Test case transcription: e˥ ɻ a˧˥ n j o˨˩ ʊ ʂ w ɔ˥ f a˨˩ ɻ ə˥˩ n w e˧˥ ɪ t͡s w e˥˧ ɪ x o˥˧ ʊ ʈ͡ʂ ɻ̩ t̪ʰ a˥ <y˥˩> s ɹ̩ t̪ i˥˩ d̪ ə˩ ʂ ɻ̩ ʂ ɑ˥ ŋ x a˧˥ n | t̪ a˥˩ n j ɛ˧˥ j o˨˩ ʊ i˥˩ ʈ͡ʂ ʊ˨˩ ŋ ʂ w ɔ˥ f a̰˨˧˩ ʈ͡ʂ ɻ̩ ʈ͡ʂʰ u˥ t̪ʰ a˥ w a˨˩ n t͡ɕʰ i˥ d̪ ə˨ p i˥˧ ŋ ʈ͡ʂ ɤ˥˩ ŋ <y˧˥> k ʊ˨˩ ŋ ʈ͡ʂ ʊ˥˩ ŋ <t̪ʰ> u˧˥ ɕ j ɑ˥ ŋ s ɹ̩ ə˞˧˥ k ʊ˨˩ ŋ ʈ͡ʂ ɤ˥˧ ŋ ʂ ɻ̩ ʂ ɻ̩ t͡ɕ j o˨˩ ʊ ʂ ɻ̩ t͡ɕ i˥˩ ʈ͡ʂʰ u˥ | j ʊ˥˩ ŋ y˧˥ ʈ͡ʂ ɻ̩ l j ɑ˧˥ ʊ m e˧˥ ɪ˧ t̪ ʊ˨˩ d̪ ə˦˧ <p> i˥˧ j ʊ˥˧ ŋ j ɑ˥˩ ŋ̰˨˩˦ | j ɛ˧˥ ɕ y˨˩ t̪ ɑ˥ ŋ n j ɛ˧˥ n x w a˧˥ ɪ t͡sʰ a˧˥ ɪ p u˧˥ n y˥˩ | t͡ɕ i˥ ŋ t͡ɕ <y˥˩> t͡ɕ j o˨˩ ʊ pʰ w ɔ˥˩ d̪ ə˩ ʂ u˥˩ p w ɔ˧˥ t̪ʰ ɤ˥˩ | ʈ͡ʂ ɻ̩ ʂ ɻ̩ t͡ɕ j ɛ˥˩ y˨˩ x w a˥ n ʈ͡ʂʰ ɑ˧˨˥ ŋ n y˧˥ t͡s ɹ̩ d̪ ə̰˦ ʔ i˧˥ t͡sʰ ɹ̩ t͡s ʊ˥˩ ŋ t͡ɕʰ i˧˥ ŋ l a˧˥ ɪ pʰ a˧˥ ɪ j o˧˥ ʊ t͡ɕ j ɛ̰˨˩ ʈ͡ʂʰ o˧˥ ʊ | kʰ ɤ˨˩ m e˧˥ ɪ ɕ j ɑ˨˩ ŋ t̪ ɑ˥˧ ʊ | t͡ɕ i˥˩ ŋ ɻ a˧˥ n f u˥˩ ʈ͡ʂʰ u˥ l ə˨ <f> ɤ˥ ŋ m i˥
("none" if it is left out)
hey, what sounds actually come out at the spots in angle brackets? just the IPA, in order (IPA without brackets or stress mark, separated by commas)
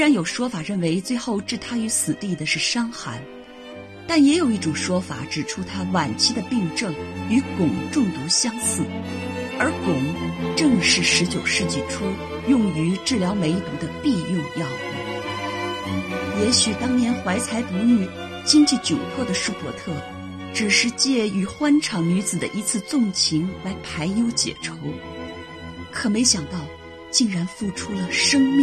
y˧˥, y˧˥, t̪, p, i˥˩, ʂ